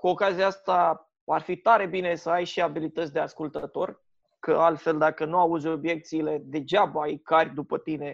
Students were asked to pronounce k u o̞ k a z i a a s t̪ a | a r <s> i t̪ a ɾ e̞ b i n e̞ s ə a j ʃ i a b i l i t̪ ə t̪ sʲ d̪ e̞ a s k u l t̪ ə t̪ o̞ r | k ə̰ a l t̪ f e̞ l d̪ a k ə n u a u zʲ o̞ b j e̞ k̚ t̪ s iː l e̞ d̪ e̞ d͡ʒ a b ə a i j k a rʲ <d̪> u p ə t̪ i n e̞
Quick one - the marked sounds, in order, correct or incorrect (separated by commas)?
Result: incorrect, correct